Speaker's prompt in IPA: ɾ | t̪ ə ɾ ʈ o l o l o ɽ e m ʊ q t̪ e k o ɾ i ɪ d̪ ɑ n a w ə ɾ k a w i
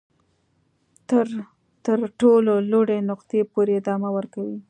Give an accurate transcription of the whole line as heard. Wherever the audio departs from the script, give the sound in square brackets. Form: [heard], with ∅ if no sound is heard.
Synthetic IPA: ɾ | t̪ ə ɾ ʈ o l o l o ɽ e [n] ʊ q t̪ e [p] o ɾ [e] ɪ d̪ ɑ [m] a w ə ɾ k a w i

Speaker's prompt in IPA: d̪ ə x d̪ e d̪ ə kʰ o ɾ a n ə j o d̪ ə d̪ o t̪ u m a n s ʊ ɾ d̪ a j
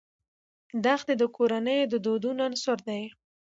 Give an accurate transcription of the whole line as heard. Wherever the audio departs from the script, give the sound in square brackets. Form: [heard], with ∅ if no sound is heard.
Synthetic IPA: d̪ [a] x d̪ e d̪ ə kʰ o ɾ a n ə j o d̪ ə d̪ o [d̪] u [n] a n s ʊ ɾ d̪ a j

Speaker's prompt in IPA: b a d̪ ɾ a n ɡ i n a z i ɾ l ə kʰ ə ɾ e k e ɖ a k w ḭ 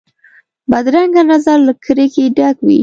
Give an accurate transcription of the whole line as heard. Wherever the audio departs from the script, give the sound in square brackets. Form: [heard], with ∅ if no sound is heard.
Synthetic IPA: b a d̪ ɾ a [ŋ] ɡ [a] n a z [a] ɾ l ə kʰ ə ɾ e k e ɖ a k w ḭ

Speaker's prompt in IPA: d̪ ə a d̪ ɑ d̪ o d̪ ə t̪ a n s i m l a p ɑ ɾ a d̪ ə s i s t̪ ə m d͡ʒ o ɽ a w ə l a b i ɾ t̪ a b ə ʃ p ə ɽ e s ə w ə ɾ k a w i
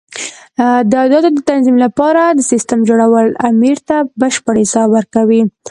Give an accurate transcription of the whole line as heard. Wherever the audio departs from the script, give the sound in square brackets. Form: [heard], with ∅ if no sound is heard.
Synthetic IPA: d̪ ə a d̪ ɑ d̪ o d̪ ə t̪ a n [z] i m l a p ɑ ɾ a d̪ ə s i s t̪ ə m d͡ʒ o ɽ a w ə l a [m] i ɾ t̪ a b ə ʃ p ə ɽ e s [ɑ] w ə ɾ k a w i

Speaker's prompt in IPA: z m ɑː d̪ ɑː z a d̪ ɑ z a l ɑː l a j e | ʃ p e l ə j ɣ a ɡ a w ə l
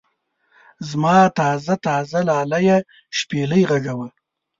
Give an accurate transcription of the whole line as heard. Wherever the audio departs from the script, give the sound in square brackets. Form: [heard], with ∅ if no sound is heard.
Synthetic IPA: z m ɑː [t̪] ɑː z a [t̪] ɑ z a l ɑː l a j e | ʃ p e l ə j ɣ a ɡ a w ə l

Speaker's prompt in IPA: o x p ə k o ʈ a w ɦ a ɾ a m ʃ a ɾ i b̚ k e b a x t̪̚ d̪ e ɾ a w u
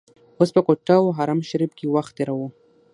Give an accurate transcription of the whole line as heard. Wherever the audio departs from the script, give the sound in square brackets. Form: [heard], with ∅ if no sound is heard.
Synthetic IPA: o [s] p ə k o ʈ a w ɦ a ɾ a m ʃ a ɾ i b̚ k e [w] a x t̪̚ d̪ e ɾ a w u

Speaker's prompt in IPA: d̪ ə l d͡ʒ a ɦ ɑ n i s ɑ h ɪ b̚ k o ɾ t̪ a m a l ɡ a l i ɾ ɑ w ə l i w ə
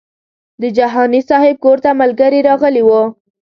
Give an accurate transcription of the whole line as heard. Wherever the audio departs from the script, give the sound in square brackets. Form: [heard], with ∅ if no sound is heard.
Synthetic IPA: d̪ ə [∅] d͡ʒ a ɦ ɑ n i s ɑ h ɪ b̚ k o ɾ t̪ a m a l ɡ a [ɾ] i ɾ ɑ [ɣ] ə l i w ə

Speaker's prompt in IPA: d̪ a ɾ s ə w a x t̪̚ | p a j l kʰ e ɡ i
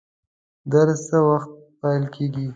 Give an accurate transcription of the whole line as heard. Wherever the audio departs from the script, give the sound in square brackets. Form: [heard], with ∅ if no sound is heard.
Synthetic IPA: d̪ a ɾ s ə w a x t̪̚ | p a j l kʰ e ɡ i

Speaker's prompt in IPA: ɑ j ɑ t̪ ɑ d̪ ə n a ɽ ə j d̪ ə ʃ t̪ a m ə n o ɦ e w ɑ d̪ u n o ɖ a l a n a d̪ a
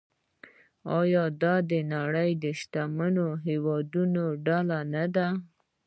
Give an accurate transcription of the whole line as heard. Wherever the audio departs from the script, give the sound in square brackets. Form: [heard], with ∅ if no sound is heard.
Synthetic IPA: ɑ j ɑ [d̪] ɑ d̪ ə n a ɽ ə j d̪ ə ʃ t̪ a m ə n o ɦ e w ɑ d̪ u n o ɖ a l a n a d̪ a

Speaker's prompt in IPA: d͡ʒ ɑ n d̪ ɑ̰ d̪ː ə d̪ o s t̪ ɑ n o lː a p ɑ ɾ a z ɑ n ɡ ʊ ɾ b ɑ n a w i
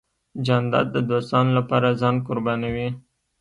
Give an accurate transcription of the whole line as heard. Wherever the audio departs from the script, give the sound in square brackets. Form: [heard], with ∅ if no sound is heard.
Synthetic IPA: d͡ʒ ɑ n d̪ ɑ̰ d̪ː ə d̪ o s t̪ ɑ n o [l] a p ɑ ɾ a z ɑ n [k] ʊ ɾ b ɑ n a w i

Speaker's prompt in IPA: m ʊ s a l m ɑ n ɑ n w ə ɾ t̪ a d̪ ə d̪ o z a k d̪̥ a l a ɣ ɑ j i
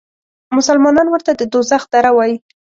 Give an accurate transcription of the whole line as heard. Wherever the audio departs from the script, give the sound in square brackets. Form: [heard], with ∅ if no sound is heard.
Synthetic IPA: m ʊ s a l m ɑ n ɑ n w ə ɾ t̪ a d̪ ə d̪ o z a [x] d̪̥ a [ɾ] a [w] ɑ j i

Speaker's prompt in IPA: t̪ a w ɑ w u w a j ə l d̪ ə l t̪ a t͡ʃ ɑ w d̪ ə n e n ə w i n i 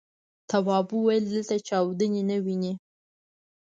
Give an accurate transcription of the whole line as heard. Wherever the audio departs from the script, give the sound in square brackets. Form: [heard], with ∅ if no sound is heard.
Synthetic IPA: t̪ a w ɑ [b] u w a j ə l d̪ ə l t̪ a t͡ʃ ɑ w d̪ ə n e n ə w i n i

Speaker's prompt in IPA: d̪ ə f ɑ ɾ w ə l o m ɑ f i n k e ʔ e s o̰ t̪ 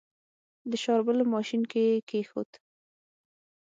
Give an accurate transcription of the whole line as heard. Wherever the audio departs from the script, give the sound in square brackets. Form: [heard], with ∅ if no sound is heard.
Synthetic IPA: d̪ ə [ʃ] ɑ ɾ [b] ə l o m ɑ [ʃ] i n k e [k] e [x] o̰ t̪

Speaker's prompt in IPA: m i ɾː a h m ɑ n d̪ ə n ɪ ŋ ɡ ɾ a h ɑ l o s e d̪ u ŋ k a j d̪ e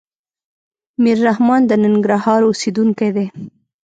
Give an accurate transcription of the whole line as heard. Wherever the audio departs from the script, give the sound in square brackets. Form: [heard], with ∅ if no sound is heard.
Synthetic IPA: m i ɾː a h m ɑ n d̪ ə n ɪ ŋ ɡ ɾ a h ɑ [ɾ] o s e d̪ u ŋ k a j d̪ e

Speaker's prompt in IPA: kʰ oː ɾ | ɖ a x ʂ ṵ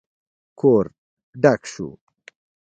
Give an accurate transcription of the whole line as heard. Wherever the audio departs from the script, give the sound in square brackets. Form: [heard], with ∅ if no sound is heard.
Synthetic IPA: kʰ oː ɾ | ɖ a [k] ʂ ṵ

